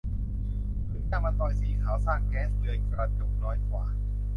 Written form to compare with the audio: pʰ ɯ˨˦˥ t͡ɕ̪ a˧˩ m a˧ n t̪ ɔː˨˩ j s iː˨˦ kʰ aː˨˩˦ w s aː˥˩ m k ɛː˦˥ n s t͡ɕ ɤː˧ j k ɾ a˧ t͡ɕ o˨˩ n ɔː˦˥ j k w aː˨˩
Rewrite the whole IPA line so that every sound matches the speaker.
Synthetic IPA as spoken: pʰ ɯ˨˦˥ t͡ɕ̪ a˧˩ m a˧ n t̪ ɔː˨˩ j s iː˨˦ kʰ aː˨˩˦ w s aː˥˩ ŋ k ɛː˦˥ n s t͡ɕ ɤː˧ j k ɾ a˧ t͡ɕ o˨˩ n ɔː˦˥ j k w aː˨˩

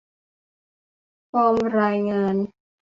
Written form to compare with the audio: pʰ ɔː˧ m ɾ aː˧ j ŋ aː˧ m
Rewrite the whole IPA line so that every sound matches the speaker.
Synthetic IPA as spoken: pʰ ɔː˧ m ɾ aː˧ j ŋ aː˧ n

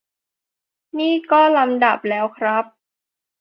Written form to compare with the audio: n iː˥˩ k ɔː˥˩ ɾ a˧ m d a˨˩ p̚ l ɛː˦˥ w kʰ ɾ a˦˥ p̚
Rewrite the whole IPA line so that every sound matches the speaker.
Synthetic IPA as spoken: n iː˥˩ k ɔː˥˩ l a˧ m d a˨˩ p̚ l ɛː˦˥ w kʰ ɾ a˦˥ p̚

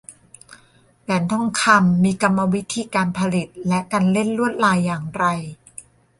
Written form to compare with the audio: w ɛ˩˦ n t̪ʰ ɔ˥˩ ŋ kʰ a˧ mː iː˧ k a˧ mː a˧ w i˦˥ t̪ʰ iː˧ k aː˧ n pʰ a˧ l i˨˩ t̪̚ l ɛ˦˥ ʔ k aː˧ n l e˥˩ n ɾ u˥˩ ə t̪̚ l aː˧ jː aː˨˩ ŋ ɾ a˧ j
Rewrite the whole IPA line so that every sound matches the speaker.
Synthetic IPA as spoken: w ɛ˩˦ n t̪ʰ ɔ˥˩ ŋ kʰ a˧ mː iː˧ k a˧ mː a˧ w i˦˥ t̪ʰ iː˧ k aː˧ n pʰ a˧ l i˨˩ t̪̚ l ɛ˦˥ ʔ k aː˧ n l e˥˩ n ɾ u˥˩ ə t̪̚ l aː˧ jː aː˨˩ ŋ ɾ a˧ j

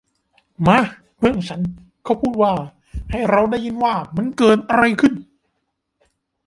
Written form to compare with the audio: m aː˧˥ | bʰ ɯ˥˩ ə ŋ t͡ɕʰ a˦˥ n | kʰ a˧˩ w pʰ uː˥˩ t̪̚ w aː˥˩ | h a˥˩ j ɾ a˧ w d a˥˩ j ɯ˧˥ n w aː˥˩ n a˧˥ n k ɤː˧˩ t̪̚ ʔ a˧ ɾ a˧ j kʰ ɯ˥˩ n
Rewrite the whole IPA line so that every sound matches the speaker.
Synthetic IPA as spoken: m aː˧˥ | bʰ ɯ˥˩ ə ŋ t͡ɕʰ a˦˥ n | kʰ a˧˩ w pʰ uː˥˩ t̪̚ w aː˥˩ | h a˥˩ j ɾ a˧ w d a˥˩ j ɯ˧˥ n w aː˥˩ m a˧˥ n k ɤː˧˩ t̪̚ ʔ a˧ ɾ a˧ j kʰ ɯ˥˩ n

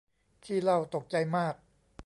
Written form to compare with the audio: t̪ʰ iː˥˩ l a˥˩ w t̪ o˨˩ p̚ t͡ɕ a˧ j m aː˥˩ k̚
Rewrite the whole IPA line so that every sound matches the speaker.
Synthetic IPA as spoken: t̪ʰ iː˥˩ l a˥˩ w t̪ o˨˩ k̚ t͡ɕ a˧ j m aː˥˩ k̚

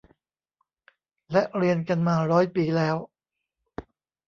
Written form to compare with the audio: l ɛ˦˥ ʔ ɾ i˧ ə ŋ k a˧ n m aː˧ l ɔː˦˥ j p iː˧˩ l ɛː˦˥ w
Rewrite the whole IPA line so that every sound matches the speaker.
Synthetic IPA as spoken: l ɛ˦˥ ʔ ɾ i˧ ə n k a˧ n m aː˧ ɾ ɔː˦˥ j p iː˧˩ l ɛː˦˥ w

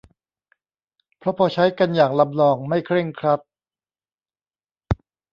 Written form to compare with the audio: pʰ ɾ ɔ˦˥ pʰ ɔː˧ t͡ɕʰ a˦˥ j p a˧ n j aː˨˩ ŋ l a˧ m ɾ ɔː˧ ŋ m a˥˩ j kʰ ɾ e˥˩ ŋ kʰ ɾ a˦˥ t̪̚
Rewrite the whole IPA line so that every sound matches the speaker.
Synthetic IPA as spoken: pʰ ɾ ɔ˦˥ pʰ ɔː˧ t͡ɕʰ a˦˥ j k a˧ n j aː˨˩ ŋ l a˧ m l ɔː˧ ŋ m a˥˩ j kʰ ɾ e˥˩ ŋ kʰ ɾ a˦˥ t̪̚

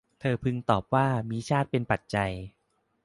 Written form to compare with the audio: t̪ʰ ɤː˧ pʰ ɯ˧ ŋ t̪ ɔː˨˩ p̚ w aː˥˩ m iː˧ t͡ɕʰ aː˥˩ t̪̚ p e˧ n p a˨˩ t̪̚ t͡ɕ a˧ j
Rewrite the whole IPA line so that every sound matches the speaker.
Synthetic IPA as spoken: t̪ʰ ɤː˧ pʰ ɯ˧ ŋ t̪ ɔː˨˩ p̚ w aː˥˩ m iː˧ t͡ɕʰ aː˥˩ t̪̚ p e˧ n p a˨˩ t̪̚ t͡ɕ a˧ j

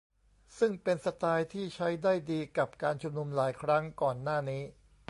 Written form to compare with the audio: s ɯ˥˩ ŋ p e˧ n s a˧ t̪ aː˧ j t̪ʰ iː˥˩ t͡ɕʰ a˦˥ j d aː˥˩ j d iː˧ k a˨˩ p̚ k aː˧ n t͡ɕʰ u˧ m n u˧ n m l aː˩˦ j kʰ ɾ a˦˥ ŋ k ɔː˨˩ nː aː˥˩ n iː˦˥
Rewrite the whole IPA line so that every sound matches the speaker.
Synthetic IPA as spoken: s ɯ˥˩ ŋ p e˧ n s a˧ t̪ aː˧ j t̪ʰ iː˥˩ t͡ɕʰ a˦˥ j d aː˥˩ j d iː˧ k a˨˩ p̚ k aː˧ n t͡ɕʰ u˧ m n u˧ m l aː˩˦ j kʰ ɾ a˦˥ ŋ k ɔː˨˩ nː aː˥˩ n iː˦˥

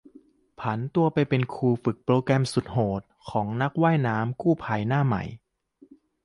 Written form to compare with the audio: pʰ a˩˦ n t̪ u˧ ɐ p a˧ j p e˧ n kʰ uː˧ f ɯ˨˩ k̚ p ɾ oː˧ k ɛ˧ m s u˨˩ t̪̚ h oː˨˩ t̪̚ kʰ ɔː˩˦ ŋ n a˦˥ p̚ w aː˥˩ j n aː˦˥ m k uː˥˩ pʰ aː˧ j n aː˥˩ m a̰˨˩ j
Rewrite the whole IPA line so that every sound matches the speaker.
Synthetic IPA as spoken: pʰ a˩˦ n t̪ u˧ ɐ p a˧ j p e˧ n kʰ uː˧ f ɯ˨˩ k̚ p ɾ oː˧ k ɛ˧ m s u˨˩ t̪̚ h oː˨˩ t̪̚ kʰ ɔː˩˦ ŋ n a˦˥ k̚ w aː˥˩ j n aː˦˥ m k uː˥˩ pʰ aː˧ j n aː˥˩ m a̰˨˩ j

